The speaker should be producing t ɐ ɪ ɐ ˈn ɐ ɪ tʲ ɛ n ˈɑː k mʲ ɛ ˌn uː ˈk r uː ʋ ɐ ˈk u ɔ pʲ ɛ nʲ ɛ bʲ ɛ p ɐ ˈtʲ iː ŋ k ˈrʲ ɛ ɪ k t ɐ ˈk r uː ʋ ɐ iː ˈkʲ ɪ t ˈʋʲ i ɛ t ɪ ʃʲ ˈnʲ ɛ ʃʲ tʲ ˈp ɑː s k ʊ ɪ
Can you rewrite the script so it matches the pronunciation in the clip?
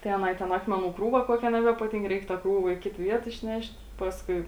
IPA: t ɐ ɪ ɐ ˈn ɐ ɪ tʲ ɛ n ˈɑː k mʲ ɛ ˌn uː ˈk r uː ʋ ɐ ˈk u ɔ kʲ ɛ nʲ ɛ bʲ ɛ p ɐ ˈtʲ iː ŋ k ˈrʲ ɛ ɪ k t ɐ ˈk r uː ʋ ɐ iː ˈkʲ ɪ t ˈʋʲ i ɛ t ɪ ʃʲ ˈnʲ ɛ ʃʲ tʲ ˈp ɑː s k ʊ ɪ